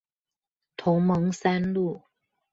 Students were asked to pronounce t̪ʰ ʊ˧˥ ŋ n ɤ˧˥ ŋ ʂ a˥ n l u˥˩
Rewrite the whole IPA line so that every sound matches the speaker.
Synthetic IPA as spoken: t̪ʰ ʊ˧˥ ŋ m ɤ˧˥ ŋ s a˥ n l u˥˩